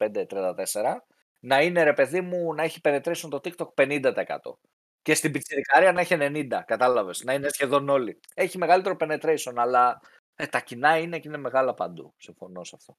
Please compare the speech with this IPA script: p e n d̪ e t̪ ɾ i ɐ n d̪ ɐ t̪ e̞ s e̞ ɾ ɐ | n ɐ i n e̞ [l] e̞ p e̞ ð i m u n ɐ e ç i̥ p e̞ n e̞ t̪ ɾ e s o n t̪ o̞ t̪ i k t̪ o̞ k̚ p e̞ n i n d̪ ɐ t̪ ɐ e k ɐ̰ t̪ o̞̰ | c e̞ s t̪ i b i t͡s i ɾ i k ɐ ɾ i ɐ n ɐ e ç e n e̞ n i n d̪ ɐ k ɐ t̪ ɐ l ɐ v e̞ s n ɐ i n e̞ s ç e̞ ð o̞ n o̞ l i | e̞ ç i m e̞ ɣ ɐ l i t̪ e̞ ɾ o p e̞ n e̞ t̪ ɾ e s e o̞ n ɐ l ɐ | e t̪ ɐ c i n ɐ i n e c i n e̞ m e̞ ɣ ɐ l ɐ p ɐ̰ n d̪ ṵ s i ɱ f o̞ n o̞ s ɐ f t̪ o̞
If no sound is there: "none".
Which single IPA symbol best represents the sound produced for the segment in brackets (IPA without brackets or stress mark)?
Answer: ɾ